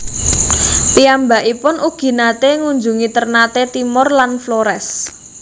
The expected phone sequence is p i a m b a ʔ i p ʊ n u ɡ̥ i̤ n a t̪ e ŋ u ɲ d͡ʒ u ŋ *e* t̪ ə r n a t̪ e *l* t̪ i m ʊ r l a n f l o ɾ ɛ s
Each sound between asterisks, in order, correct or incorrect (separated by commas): incorrect, incorrect